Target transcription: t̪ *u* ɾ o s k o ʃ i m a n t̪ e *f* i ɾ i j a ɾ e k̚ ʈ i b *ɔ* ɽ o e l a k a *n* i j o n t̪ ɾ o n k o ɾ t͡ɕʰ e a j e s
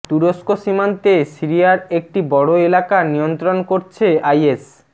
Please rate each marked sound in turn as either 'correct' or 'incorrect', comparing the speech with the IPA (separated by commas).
correct, incorrect, correct, correct